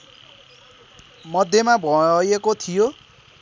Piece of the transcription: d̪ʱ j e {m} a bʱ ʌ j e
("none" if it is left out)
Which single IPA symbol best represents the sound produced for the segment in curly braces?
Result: m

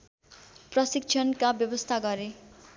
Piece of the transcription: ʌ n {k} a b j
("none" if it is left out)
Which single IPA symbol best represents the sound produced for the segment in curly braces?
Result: k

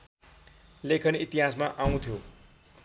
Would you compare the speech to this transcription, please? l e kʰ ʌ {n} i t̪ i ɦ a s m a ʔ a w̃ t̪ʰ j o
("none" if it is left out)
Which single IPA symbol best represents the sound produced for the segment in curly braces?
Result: n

